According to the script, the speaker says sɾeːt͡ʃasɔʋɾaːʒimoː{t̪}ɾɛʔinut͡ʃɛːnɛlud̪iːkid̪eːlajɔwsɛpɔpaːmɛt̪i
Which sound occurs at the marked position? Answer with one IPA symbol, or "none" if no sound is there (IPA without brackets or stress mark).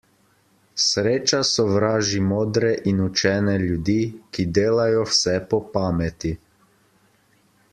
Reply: d̪